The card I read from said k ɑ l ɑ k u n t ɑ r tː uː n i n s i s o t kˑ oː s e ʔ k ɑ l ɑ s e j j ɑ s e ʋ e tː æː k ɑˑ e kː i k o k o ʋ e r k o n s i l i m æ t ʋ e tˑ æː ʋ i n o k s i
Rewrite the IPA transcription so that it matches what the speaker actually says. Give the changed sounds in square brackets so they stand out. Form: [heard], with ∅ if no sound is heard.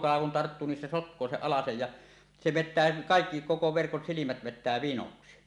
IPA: k ɑ l ɑ k u n t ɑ r tː uː n i n s [e] s o t kˑ oː s e ʔ [ʔ] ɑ l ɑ s e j j ɑ s e ʋ e tː æː k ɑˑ e kː i k o k o ʋ e r k o n s i l i m æ t ʋ e tˑ æː ʋ i n o k s i

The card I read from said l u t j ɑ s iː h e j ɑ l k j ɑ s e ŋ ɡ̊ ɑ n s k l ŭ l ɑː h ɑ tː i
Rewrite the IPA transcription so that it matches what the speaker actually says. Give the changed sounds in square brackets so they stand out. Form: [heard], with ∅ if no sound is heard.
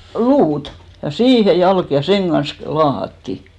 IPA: l [uː] t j ɑ s iː h e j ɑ l k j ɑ s e ŋ ɡ̊ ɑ n s k l ŭ l ɑː h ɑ tː i

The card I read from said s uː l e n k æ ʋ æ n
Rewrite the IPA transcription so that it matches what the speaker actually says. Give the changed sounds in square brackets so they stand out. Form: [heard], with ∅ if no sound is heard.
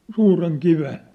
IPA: s uː [r] e [ŋ] k [i] ʋ [e] n

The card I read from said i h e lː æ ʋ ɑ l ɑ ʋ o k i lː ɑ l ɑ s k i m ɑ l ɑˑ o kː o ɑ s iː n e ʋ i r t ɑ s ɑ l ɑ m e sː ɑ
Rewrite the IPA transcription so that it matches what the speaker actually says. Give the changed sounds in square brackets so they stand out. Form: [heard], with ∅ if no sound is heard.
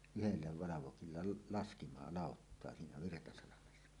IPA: [y] h e lː æ ʋ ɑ l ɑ ʋ o k i lː ɑ l ɑ s k i m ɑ l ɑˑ o [tː] o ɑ s iː n [æ] ʋ i r t ɑ s ɑ l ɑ m e sː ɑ

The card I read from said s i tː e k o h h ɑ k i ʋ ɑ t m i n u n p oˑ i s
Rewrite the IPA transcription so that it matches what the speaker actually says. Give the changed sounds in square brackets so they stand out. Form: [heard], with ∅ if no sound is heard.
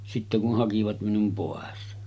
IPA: s i tː e k [u] h h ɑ k i ʋ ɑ t m i n u [m] p oˑ [e] s

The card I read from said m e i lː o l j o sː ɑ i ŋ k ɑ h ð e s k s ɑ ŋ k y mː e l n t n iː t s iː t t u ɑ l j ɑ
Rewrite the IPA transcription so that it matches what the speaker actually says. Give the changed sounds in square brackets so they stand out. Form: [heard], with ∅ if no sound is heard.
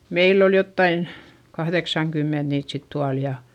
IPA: m e i lː o l j o [tː] ɑ i [n] k ɑ h ð e [∅] k s ɑ ŋ k y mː e [∅] n t n iː t s [i] t t u ɑ l j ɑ

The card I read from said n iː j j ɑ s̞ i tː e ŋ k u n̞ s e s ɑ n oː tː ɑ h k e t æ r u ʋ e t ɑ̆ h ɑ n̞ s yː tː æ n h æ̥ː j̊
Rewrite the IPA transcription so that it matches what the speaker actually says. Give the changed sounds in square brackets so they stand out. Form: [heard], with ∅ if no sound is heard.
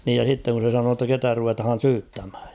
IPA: n iː j j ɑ s̞ i tː e ŋ k u n̞ s e s ɑ n oː tː ɑ [∅] k e t æ r u ʋ e t ɑ̆ h ɑ n̞ s yː tː æ [m] h æ̥ː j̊

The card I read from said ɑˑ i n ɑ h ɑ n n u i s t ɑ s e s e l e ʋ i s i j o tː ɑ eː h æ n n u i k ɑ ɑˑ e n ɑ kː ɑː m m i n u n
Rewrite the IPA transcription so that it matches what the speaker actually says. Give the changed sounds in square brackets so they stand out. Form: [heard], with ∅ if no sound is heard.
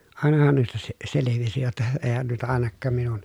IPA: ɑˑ [e] n ɑ h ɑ n n u i s t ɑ s e s e l e ʋ i s i j o tː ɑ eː h æ n n u i [t] ɑ ɑˑ e n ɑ kː ɑː m m i n u n

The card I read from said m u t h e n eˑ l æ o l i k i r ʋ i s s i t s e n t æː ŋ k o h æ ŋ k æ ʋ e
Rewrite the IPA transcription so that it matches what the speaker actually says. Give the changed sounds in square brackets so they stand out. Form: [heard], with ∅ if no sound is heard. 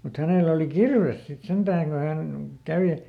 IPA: m u t h [æ] n eˑ l æ o l i k i r ʋ [e] s s i t s e n t æː ŋ k o h æ [n] k æ ʋ e

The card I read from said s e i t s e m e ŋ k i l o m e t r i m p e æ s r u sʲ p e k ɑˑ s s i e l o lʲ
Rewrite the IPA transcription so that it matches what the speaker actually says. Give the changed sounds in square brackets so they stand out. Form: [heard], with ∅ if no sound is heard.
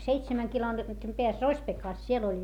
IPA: s e i t s e m [æ] ŋ k i l o m e t r i m p e æ s r [o] sʲ p e k ɑˑ s s i e l o lʲ

